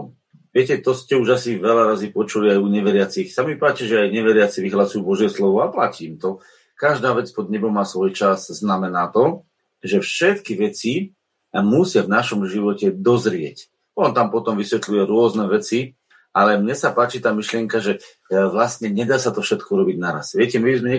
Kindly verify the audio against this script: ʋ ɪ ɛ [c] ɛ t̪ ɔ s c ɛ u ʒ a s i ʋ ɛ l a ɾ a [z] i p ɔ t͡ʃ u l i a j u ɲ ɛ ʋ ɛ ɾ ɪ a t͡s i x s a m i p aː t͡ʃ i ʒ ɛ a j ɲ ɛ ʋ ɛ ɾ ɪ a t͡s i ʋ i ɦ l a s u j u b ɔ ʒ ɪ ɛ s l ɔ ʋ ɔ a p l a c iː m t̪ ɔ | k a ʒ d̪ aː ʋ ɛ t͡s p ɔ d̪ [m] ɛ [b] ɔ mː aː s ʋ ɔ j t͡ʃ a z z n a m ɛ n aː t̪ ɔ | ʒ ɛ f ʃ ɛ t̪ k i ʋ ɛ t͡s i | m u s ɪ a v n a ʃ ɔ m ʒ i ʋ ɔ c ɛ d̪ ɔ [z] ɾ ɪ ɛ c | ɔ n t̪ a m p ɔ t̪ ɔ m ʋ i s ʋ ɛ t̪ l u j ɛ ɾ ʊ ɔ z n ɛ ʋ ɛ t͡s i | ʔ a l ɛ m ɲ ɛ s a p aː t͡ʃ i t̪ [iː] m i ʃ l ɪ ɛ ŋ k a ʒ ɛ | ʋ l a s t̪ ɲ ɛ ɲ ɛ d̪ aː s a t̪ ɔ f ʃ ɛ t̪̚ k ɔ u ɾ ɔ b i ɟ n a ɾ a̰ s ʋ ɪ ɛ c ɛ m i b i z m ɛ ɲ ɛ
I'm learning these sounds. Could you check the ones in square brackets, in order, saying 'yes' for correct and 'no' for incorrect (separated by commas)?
yes, yes, no, yes, yes, no